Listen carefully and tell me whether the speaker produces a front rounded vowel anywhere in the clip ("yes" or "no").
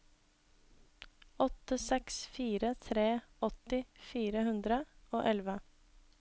no